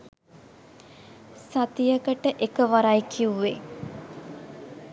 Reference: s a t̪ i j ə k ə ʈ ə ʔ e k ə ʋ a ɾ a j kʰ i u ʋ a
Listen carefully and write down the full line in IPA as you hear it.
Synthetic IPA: s a t̪ i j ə k ə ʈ ə ʔ e k ə ʋ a ɾ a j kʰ i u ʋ e